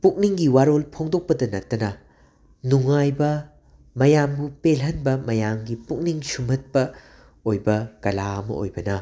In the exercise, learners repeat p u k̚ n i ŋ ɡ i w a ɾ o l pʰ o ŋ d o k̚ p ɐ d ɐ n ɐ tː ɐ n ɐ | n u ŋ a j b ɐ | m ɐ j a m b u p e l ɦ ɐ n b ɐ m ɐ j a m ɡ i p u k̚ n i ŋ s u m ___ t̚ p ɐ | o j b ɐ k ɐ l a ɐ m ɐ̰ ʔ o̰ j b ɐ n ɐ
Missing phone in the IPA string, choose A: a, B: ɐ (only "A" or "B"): B